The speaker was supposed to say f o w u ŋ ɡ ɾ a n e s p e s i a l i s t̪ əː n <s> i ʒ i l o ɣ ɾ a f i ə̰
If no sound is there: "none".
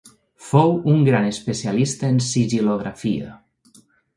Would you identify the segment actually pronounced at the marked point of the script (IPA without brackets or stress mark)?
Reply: s